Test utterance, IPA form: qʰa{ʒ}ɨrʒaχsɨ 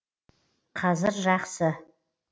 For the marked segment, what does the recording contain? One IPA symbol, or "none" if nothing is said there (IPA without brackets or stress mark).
z